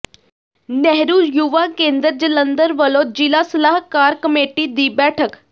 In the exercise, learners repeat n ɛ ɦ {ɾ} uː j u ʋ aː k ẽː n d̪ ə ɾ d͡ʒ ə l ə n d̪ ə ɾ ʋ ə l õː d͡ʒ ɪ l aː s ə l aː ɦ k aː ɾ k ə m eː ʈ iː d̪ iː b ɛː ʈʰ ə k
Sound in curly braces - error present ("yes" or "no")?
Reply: no